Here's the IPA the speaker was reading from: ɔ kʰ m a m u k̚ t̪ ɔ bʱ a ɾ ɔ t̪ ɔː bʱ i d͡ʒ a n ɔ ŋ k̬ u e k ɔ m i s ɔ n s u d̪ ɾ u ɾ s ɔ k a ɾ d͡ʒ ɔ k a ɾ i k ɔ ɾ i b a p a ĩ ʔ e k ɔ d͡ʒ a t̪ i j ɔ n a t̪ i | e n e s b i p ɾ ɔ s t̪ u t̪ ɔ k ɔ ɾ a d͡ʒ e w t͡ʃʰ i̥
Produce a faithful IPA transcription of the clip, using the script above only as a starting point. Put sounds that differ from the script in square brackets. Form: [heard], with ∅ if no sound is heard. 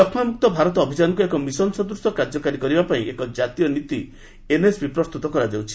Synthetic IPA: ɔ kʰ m a m u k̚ t̪ ɔ bʱ a ɾ ɔ t̪ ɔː bʱ i d͡ʒ a n ɔ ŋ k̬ u e k ɔ m i s ɔ n s [ɔ] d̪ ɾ u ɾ s ɔ k a ɾ d͡ʒ ɔ k a ɾ i k ɔ ɾ i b a p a ĩ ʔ e k ɔ d͡ʒ a t̪ i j ɔ n [i] t̪ i | e n e s b i p ɾ ɔ s t̪ u t̪ ɔ k ɔ ɾ a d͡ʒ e w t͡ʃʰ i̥